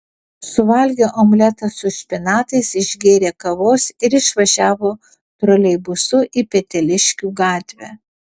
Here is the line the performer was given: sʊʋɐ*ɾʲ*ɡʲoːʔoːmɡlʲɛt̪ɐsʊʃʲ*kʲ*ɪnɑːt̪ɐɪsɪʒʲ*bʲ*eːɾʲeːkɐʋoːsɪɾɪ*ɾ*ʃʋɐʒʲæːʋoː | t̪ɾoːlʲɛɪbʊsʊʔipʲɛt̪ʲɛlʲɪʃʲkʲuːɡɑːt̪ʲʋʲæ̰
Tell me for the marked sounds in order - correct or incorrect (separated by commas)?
incorrect, incorrect, incorrect, incorrect